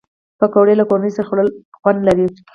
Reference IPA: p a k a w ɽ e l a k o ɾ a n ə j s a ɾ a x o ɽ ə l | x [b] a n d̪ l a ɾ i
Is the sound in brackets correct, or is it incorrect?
incorrect